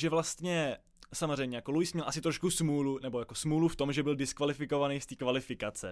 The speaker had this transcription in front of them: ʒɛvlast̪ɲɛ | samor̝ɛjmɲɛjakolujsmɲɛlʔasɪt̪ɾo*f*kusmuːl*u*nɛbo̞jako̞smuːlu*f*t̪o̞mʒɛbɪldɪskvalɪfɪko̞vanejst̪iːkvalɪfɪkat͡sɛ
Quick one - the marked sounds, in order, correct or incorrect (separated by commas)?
incorrect, correct, correct